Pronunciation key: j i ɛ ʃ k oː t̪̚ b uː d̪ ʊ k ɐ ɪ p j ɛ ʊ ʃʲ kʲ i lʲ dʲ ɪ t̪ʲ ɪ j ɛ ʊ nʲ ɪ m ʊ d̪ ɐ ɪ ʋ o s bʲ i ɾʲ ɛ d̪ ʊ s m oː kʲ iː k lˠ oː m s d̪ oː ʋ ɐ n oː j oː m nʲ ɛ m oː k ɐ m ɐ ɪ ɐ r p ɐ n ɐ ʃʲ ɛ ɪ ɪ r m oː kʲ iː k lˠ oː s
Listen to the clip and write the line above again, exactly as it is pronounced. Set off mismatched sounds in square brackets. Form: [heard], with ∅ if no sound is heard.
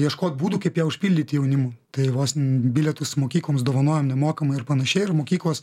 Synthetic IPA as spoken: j i ɛ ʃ k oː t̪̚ b uː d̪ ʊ k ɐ ɪ p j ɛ ʊ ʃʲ [pʲ] i lʲ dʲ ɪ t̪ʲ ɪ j ɛ ʊ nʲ ɪ m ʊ [t̪] ɐ ɪ ʋ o s bʲ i [lʲ] ɛ [t̪] ʊ s m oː kʲ iː k lˠ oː m s d̪ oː ʋ ɐ n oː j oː m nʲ ɛ m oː k ɐ m ɐ ɪ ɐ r p ɐ n ɐ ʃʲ ɛ ɪ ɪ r m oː kʲ iː k lˠ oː s